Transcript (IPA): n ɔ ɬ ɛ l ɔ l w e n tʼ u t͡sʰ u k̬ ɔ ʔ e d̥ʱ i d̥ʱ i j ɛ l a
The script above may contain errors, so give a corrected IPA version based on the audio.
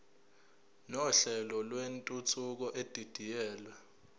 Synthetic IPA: n ɔ ɬ ɛ l ɔ l w e n tʼ u t͡sʰ u k̬ ɔ ʔ e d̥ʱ i d̥ʱ i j ɛː l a